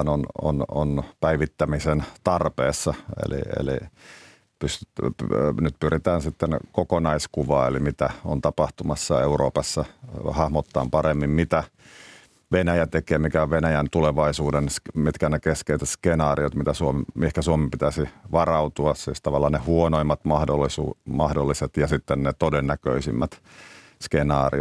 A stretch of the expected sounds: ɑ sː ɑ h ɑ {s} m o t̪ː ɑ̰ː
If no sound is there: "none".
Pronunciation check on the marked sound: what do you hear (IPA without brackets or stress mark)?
h